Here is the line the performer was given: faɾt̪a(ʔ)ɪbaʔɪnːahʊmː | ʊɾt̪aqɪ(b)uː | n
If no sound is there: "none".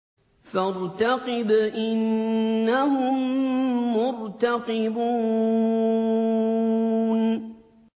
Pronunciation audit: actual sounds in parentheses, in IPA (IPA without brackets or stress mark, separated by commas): q, b